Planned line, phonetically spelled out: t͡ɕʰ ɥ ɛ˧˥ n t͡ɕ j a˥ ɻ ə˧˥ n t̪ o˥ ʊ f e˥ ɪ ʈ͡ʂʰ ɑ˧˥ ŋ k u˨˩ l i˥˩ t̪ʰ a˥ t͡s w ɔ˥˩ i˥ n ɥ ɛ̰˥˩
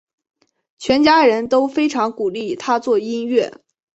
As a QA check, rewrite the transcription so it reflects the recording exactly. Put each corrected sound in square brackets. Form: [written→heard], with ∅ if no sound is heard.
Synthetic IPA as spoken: t͡ɕʰ ɥ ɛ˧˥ n t͡ɕ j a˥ ɻ ə˧˥ n t̪ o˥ ʊ f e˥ ɪ ʈ͡ʂʰ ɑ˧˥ ŋ k u˨˩ l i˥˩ t̪ʰ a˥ t͡s w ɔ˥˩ i˥ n ɥ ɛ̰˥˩

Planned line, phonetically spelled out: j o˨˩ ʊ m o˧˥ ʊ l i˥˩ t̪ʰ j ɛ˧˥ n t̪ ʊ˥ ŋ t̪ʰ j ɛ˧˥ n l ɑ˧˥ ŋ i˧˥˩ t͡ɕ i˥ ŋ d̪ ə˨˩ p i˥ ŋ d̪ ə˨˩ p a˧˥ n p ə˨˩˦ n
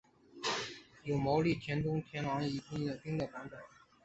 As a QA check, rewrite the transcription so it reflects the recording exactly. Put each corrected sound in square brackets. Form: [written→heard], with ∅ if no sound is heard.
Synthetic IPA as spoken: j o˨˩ ʊ m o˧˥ ʊ l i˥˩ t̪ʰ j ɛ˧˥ n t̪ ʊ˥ ŋ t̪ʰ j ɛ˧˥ n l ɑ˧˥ ŋ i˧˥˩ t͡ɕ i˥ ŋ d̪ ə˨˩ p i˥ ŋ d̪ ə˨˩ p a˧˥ n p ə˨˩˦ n

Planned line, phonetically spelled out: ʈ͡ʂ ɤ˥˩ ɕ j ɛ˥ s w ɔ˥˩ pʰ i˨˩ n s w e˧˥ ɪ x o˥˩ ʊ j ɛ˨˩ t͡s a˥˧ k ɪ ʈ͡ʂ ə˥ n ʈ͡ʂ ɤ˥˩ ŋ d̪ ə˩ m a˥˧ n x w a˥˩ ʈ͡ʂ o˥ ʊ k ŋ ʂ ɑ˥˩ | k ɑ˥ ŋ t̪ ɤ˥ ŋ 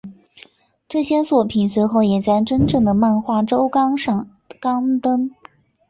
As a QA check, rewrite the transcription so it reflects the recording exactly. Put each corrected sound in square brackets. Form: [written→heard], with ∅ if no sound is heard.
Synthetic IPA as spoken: ʈ͡ʂ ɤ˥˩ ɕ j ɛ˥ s w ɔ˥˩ pʰ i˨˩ n s w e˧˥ ɪ x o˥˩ ʊ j ɛ˨˩ t͡s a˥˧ [k→∅] ɪ ʈ͡ʂ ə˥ n ʈ͡ʂ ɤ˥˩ ŋ d̪ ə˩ m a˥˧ n x w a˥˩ ʈ͡ʂ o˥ ʊ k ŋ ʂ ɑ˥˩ | k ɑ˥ ŋ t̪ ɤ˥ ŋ

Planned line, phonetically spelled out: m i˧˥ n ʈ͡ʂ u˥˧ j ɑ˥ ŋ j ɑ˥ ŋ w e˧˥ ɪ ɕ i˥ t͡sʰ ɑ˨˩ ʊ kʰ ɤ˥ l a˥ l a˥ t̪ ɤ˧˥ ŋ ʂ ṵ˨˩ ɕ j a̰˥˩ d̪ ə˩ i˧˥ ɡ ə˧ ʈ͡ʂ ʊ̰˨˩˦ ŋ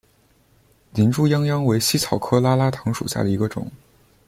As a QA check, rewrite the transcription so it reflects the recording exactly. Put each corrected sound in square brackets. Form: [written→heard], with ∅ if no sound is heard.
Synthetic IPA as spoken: [m→n] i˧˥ n ʈ͡ʂ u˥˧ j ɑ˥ ŋ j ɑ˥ ŋ w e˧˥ ɪ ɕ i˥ t͡sʰ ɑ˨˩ ʊ kʰ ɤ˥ l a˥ l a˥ [t̪→t̪ʰ] ɤ˧˥ ŋ ʂ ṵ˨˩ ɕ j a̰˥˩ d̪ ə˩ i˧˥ ɡ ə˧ ʈ͡ʂ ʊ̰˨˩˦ ŋ

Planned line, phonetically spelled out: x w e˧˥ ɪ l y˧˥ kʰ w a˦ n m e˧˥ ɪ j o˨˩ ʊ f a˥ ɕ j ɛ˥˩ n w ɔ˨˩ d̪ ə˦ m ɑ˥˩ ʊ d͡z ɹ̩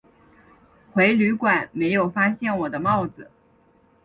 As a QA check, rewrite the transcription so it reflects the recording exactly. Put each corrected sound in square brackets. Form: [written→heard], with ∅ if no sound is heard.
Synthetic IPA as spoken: x w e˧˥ ɪ l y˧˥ [kʰ→k] w [a˦→a˨˩˦] n m e˧˥ ɪ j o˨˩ ʊ f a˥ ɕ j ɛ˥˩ n w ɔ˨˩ d̪ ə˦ m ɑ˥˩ ʊ d͡z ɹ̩

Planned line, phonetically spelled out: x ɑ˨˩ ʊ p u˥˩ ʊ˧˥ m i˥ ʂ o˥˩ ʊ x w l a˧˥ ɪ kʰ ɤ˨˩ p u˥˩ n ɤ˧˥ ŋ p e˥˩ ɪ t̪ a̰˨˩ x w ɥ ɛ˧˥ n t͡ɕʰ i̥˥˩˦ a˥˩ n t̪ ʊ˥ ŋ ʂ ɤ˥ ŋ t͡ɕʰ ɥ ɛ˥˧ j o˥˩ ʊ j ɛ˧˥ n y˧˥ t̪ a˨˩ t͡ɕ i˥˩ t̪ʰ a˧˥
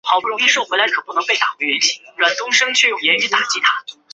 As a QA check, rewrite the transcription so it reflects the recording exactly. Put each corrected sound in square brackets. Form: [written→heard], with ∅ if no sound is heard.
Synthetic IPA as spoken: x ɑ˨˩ ʊ p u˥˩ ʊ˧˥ [m→ŋ] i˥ ʂ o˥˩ ʊ x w l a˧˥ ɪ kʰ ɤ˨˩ p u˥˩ n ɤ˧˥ ŋ p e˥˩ ɪ t̪ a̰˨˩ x w ɥ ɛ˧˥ n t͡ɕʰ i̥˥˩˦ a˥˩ n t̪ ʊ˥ ŋ ʂ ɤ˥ ŋ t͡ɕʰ ɥ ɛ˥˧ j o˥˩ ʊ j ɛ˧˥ n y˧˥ t̪ a˨˩ t͡ɕ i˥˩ t̪ʰ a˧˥

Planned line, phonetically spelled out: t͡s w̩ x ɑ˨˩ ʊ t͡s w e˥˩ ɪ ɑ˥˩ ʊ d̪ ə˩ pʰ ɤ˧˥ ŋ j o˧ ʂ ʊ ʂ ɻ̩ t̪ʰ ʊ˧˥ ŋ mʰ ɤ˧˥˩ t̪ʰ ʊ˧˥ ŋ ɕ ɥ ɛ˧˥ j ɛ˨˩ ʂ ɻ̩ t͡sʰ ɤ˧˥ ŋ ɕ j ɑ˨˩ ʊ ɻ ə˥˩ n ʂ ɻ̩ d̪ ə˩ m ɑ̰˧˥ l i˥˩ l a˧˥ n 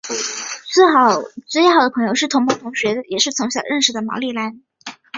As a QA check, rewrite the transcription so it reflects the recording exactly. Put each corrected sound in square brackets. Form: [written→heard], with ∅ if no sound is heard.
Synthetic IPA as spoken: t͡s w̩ x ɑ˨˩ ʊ t͡s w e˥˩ ɪ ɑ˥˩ ʊ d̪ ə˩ pʰ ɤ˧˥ ŋ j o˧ [ʂ→∅] ʊ ʂ ɻ̩ t̪ʰ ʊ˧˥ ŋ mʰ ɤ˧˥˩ t̪ʰ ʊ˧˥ ŋ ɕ ɥ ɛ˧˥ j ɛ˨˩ ʂ ɻ̩ t͡sʰ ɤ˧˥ ŋ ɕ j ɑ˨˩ ʊ ɻ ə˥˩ n ʂ ɻ̩ d̪ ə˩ m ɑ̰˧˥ l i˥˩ l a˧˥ n

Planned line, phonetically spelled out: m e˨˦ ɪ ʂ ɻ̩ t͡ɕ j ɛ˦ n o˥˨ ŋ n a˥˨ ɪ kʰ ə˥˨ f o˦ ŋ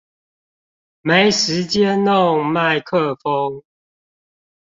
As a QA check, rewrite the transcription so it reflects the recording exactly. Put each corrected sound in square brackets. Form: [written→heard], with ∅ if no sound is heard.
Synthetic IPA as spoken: m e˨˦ ɪ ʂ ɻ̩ t͡ɕ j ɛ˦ n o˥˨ ŋ [n→m] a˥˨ ɪ kʰ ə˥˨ f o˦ ŋ

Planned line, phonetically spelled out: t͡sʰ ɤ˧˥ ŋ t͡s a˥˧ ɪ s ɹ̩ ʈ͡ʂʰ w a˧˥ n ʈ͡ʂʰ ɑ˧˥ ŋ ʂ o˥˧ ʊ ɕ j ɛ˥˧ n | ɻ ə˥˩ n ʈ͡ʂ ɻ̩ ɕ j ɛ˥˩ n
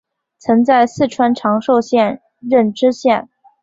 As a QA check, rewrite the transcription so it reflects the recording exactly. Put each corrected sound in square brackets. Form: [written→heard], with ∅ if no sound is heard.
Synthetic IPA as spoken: t͡sʰ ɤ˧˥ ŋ t͡s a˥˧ ɪ s ɹ̩ ʈ͡ʂʰ w [a˧˥→a˥] n ʈ͡ʂʰ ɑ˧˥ ŋ ʂ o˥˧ ʊ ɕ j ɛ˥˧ n | ɻ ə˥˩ n ʈ͡ʂ ɻ̩ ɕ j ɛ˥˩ n

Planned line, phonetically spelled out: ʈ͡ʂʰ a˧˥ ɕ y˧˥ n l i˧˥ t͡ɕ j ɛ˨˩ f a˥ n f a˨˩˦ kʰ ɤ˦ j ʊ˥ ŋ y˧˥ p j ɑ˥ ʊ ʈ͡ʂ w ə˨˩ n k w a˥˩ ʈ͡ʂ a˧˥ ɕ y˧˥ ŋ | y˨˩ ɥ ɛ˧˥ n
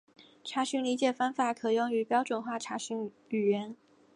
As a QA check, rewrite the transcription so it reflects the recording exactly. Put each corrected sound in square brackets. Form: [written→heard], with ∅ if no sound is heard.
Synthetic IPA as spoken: ʈ͡ʂʰ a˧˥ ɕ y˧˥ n l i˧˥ t͡ɕ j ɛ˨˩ f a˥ n f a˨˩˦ kʰ [ɤ˦→ɤ˨˩] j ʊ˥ ŋ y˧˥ p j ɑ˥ ʊ ʈ͡ʂ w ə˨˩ n [k→x] w a˥˩ [ʈ͡ʂ→ʈ͡ʂʰ] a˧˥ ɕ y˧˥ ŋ | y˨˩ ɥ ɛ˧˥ n

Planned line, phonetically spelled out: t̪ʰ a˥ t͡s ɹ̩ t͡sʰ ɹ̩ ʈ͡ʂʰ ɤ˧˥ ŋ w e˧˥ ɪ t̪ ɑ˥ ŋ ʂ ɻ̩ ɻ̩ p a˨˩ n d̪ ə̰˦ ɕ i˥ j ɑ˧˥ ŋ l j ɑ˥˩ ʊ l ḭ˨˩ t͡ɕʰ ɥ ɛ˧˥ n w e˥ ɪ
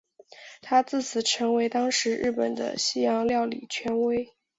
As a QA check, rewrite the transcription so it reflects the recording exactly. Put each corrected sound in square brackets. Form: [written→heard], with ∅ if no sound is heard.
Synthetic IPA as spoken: t̪ʰ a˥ t͡s ɹ̩ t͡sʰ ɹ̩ ʈ͡ʂʰ ɤ˧˥ ŋ w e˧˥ ɪ t̪ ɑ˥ ŋ ʂ ɻ̩ ɻ̩ p [a˨˩→ə˨˩] n d̪ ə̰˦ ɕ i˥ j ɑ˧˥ ŋ l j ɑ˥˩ ʊ l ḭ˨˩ t͡ɕʰ ɥ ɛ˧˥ n w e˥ ɪ

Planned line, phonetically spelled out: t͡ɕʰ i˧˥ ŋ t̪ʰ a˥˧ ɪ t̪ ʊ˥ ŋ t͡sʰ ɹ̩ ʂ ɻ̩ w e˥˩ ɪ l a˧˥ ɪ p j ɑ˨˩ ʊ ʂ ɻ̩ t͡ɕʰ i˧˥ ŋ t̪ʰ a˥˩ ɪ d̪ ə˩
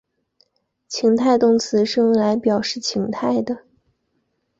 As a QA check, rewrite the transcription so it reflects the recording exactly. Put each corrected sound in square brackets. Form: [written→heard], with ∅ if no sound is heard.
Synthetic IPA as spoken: t͡ɕʰ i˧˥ ŋ t̪ʰ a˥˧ ɪ t̪ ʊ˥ ŋ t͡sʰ ɹ̩ ʂ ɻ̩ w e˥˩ ɪ l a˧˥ ɪ p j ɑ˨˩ ʊ ʂ ɻ̩ t͡ɕʰ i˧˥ ŋ t̪ʰ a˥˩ ɪ d̪ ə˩

